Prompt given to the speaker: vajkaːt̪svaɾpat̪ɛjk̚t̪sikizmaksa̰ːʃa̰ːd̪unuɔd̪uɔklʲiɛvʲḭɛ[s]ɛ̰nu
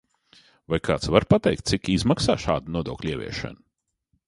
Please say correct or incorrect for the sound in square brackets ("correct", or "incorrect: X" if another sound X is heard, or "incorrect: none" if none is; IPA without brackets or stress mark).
incorrect: ʃ